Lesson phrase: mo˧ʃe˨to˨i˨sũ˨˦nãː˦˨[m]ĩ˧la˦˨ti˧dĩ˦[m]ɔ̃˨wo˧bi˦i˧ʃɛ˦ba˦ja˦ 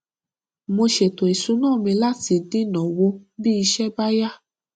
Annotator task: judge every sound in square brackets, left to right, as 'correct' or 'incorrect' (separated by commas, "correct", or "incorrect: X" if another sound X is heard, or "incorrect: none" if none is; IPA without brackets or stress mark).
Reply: correct, incorrect: n